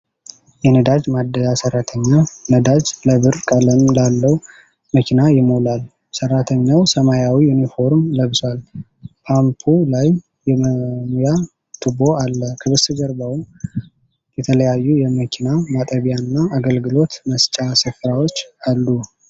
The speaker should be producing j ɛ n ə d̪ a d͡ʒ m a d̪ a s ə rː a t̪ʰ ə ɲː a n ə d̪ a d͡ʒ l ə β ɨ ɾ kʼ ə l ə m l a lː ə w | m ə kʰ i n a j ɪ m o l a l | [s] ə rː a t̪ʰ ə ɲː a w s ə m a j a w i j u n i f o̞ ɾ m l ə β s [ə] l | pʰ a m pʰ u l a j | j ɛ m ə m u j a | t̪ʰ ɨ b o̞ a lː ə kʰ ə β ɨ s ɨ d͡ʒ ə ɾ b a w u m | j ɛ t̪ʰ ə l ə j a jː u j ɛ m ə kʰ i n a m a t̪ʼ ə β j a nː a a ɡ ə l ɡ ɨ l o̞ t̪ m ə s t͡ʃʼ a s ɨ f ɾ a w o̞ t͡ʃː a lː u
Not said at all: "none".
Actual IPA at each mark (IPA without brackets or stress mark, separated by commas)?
s, a